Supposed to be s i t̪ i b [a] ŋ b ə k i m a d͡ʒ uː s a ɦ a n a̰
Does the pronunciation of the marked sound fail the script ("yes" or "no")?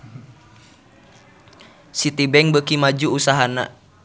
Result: yes